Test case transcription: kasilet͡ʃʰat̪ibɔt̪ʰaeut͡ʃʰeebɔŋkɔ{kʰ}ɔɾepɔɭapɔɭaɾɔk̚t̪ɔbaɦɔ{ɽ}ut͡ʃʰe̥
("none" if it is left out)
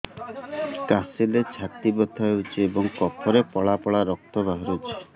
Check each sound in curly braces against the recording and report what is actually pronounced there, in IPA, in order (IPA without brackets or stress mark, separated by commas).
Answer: pʰ, ɾ